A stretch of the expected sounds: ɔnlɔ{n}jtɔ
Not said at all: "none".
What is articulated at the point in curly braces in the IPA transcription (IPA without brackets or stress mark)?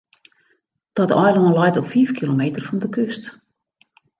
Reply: none